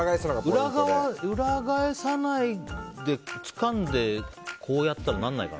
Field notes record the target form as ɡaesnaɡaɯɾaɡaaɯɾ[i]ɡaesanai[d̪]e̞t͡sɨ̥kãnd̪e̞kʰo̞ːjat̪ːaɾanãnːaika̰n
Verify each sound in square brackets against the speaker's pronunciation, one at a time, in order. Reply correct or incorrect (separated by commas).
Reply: incorrect, correct